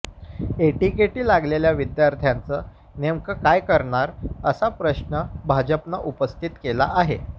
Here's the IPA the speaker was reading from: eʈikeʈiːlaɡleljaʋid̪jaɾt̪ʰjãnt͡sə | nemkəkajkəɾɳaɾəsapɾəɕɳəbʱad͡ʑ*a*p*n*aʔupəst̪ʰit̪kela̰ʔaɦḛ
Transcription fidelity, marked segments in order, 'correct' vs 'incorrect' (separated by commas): incorrect, correct